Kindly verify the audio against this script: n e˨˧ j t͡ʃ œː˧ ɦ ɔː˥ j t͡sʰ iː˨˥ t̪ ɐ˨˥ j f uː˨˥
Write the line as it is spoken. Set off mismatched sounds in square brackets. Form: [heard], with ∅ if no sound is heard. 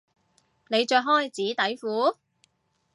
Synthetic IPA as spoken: n e˨˧ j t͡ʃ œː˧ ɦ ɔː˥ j [t͡s] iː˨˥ t̪ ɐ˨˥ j f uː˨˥